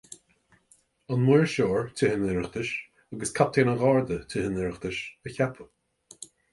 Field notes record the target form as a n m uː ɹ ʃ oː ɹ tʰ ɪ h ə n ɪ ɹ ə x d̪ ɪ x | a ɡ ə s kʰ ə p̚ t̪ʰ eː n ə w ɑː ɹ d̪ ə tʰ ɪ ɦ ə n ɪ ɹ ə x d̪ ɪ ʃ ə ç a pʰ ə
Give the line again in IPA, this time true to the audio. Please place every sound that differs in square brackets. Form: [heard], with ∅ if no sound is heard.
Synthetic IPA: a n m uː ɹ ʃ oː ɹ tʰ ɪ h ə n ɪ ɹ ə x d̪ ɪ [ʃ] | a ɡ ə s kʰ [a] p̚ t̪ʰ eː n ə [ɣ] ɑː ɹ d̪ ə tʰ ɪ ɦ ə n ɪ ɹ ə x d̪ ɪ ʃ ə ç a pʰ ə